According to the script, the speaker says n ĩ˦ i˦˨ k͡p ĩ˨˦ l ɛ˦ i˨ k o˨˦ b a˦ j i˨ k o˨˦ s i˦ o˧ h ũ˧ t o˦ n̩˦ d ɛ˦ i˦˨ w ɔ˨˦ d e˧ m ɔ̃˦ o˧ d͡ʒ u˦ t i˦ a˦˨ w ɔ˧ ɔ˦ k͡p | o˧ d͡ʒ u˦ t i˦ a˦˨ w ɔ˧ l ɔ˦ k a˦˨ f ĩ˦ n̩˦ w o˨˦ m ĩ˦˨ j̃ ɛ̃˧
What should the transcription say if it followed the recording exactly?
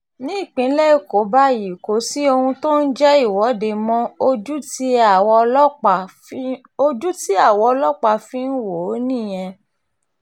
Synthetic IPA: n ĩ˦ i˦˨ k͡p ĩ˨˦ l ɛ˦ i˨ k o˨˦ b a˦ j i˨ k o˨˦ s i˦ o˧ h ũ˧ t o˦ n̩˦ d͡ʒ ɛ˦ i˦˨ w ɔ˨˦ d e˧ m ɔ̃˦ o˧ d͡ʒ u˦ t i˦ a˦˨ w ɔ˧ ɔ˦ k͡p | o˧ d͡ʒ u˦ t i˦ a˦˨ w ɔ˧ l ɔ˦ k͡p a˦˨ f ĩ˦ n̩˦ w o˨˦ n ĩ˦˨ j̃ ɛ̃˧

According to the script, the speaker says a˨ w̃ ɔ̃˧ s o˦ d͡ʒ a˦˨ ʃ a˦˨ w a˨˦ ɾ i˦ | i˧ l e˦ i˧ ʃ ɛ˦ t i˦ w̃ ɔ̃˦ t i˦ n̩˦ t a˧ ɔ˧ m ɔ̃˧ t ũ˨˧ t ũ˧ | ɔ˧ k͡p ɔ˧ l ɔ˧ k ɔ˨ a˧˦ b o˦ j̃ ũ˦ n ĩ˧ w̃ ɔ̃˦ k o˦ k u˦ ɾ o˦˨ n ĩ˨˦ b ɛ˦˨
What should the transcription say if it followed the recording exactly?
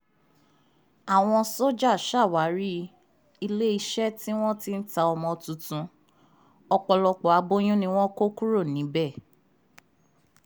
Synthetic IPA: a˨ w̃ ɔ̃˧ s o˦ d͡ʒ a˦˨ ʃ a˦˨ w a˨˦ ɾ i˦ | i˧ l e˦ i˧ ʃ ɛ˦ t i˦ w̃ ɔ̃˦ t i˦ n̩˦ t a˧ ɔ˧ m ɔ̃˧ t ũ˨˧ t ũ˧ | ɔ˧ k͡p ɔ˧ l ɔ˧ k͡p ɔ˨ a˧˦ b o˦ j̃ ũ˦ n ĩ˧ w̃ ɔ̃˦ k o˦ k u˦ ɾ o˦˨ n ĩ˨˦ b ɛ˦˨

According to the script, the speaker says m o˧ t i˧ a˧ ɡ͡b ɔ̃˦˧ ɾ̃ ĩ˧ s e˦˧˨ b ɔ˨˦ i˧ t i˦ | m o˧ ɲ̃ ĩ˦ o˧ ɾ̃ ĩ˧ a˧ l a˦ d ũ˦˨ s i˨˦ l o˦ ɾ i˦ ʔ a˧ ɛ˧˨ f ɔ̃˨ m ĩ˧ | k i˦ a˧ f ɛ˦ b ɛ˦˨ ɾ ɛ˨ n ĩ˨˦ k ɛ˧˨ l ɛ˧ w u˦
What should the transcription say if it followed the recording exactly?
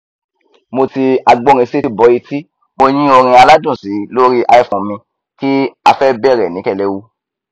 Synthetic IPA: m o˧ t i˧ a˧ ɡ͡b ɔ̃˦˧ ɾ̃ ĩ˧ s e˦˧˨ b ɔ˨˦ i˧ t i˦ | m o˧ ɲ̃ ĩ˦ o˧ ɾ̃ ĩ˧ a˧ l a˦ d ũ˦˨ s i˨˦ l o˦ ɾ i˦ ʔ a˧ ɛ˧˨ f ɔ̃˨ m ĩ˧ | k i˦ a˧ f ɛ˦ b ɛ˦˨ ɾ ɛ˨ n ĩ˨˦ k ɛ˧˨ l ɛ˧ w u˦

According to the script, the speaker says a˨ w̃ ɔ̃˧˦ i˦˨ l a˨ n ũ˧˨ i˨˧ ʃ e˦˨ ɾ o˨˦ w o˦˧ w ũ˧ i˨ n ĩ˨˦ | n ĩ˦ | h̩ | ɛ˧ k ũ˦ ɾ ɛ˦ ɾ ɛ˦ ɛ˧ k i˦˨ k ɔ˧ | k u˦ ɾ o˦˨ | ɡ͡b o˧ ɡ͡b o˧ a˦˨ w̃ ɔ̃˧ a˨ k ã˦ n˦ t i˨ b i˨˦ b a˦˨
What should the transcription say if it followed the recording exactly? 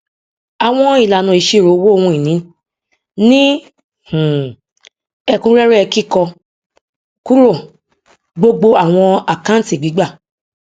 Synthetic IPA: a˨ w̃ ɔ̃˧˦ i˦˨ l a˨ n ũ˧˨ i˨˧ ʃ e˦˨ ɾ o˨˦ w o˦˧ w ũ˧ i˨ n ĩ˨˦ | n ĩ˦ | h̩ | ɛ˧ k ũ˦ ɾ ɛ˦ ɾ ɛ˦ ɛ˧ k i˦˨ k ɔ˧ | k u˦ ɾ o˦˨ | ɡ͡b o˧ ɡ͡b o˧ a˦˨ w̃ ɔ̃˧ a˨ k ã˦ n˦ t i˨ ɡ͡b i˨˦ ɡ͡b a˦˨

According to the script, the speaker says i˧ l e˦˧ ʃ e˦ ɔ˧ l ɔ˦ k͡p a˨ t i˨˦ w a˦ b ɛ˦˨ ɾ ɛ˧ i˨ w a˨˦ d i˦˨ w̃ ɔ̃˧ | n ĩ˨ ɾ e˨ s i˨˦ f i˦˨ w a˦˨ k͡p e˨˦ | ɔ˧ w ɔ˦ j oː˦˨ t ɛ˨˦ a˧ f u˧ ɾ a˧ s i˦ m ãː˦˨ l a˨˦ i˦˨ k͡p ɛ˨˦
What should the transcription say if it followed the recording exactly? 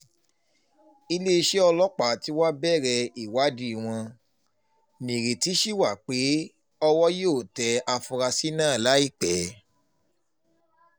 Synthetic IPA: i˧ l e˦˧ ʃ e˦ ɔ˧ l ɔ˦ k͡p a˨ t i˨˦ w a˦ b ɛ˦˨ ɾ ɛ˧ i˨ w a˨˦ d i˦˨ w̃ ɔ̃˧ | n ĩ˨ ɾ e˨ t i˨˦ ʃ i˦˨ w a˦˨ k͡p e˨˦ | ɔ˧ w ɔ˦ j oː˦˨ t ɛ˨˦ a˧ f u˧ ɾ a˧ s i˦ n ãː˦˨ l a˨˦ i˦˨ k͡p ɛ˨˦

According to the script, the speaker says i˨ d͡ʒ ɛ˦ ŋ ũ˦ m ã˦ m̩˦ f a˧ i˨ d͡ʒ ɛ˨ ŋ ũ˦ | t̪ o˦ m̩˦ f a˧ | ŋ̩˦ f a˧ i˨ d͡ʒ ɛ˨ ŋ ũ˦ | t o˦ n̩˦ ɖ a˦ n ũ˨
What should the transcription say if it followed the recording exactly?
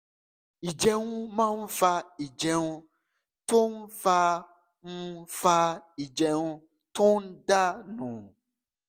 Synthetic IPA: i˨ d͡ʒ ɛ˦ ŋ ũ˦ m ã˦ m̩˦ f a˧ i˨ d͡ʒ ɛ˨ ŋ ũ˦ | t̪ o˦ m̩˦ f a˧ | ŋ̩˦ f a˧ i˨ d͡ʒ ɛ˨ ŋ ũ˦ | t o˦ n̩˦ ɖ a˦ n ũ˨

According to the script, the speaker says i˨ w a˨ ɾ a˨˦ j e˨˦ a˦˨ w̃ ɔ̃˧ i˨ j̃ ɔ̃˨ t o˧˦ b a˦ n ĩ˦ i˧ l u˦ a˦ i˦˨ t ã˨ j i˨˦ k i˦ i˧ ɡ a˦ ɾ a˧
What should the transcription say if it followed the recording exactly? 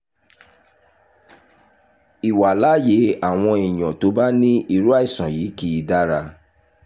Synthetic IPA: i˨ w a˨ l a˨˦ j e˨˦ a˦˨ w̃ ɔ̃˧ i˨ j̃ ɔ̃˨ t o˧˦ b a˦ n ĩ˦ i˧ ɾ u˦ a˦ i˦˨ s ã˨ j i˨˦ k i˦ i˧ d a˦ ɾ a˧

